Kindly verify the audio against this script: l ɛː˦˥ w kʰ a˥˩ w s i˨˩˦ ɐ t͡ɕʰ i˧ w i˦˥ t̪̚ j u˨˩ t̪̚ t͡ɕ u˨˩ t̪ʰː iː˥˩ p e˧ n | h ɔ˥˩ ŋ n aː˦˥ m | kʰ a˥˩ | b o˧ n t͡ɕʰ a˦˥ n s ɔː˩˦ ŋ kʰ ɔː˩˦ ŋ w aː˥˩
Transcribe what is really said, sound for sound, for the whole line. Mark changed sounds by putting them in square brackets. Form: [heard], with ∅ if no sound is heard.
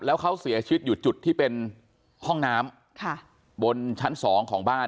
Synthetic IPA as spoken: l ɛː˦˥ w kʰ [a˦˥] w s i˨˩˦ ɐ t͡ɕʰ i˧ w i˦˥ t̪̚ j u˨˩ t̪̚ t͡ɕ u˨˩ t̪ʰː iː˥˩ p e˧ n | h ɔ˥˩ ŋ n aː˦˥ m | kʰ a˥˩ | b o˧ n t͡ɕʰ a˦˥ n s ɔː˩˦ ŋ kʰ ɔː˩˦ ŋ [b] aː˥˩